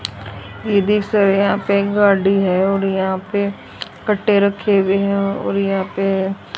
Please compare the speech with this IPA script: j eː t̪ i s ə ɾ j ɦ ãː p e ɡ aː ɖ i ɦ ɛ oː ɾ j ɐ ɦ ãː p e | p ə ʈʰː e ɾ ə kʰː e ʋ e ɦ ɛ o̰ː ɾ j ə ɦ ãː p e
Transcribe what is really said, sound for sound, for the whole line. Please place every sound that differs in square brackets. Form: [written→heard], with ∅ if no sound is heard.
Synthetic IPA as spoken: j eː [t̪→d̪] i s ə ɾ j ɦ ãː p e ɡ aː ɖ i ɦ ɛ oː ɾ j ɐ ɦ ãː p e | [p→k] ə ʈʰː e ɾ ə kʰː e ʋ e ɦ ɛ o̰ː ɾ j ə ɦ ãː p e